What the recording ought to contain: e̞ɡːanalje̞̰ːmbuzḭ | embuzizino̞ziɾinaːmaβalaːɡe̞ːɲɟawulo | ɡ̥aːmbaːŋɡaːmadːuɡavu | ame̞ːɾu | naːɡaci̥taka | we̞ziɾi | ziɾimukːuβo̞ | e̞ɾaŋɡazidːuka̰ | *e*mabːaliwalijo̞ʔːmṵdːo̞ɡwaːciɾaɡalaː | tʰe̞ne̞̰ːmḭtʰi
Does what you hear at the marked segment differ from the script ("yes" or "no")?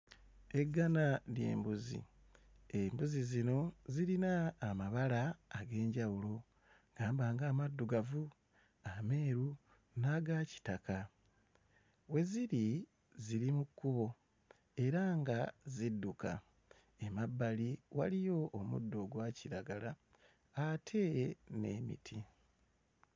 no